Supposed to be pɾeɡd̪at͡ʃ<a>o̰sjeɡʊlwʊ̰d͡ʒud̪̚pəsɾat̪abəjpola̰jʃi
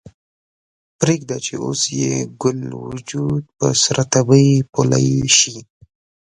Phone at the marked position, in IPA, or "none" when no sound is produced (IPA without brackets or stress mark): e